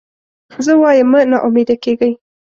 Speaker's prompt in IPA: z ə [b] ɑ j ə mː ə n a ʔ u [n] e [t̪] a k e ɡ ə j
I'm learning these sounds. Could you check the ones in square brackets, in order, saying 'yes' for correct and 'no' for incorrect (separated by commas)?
no, no, no